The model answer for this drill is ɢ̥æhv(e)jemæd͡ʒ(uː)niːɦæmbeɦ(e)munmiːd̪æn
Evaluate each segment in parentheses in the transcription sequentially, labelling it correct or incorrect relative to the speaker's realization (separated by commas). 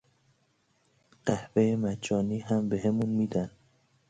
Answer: correct, incorrect, correct